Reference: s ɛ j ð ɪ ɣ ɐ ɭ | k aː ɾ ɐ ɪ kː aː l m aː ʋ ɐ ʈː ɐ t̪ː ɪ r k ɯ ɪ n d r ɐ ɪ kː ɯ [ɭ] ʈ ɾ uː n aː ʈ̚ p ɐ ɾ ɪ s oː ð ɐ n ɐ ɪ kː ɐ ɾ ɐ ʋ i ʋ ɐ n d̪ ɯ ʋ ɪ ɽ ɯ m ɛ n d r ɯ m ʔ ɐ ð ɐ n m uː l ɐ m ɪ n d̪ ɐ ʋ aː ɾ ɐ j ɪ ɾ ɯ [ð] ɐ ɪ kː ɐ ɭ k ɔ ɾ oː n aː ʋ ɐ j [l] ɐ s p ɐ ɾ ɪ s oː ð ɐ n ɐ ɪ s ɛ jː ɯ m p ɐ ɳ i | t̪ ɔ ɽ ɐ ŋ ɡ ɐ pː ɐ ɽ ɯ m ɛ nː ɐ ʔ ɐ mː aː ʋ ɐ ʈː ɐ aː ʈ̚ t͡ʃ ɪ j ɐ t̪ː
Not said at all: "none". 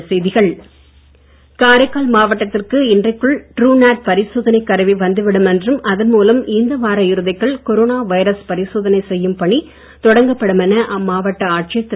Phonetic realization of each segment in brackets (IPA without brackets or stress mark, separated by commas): ɭ, ð, ɾ